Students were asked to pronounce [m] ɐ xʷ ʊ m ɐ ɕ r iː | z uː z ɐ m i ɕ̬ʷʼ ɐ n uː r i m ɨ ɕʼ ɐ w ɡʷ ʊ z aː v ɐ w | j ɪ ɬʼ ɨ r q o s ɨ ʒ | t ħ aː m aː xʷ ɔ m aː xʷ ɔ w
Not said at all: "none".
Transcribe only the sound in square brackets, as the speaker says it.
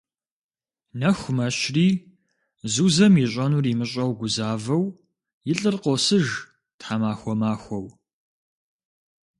n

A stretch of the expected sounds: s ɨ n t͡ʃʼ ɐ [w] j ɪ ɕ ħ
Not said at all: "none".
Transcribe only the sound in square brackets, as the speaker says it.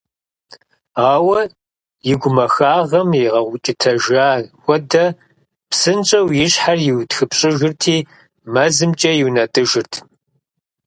w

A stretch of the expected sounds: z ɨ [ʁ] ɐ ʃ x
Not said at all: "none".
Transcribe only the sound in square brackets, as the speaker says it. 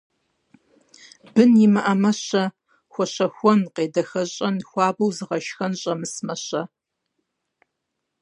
ʁ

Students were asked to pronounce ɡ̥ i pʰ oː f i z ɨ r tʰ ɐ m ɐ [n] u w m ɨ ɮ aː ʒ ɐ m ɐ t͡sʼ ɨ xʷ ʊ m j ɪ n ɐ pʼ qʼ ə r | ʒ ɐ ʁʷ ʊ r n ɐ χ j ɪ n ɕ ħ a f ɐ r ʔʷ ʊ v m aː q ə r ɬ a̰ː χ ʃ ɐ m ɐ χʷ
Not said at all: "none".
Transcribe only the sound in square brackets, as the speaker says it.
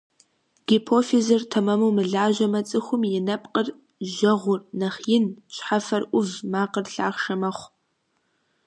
m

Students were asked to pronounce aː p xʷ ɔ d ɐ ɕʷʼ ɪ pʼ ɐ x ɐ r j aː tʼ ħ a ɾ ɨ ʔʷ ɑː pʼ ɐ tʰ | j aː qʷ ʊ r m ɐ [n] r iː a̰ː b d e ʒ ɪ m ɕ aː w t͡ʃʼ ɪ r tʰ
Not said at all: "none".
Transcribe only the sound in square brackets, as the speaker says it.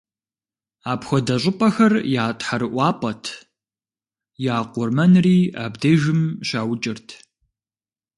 n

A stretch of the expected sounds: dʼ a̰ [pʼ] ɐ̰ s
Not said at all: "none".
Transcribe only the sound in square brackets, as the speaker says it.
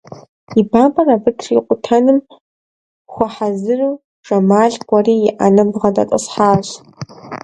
tʼ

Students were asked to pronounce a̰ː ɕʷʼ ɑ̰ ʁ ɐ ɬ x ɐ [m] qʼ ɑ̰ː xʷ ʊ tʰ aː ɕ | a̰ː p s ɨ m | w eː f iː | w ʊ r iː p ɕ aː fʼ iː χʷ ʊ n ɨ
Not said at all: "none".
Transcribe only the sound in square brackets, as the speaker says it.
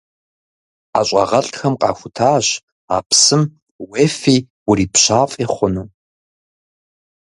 m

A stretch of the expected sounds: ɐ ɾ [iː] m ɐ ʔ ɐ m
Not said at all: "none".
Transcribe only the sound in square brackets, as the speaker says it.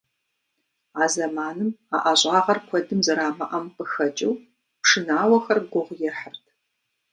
aː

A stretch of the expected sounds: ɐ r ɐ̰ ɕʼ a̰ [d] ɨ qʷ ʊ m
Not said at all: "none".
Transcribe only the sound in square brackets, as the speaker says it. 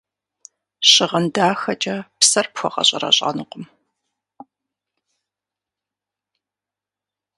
n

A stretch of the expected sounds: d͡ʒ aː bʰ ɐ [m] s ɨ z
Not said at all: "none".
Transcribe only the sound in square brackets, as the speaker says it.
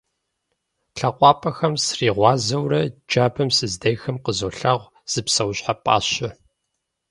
m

